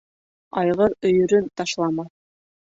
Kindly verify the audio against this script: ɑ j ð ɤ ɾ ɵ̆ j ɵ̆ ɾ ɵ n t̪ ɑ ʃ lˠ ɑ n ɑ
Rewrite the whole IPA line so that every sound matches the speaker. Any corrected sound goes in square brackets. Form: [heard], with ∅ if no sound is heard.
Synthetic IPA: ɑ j [ʁ] ɤ ɾ ɵ̆ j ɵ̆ ɾ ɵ n t̪ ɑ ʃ lˠ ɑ [m] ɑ